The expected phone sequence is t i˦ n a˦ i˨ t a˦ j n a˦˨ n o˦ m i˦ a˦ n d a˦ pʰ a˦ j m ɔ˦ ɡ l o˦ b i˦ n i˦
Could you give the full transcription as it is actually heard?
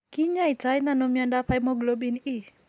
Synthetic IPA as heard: k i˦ ɲ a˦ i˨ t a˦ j n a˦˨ n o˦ m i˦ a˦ n d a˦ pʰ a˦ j m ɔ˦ ɡ l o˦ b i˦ n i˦